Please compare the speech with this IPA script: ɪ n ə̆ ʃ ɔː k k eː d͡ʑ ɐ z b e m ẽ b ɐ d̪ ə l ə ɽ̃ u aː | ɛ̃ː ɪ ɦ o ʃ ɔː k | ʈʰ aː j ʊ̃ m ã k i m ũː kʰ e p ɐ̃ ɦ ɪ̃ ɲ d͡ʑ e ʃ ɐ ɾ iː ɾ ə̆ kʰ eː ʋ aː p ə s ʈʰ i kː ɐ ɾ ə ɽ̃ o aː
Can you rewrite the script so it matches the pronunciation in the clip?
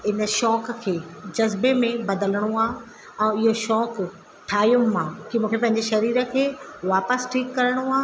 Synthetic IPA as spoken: ɪ n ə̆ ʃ ɔː k kʰ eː d͡ʑ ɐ z b e m ẽ b ɐ d̪ ə l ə ɽ̃ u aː | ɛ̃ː ɪ ɦ o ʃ ɔː k | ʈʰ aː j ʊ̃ m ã k i m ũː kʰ e p ɐ̃ ɦ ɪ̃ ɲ d͡ʑ e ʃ ɐ ɾ iː ɾ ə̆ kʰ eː ʋ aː p ə s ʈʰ iː kː ɐ ɾ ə ɽ̃ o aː